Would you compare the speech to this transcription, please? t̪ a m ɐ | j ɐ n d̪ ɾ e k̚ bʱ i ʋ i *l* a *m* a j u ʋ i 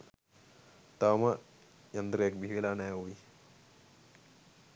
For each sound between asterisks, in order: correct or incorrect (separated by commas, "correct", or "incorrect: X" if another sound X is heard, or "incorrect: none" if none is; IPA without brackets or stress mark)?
correct, incorrect: n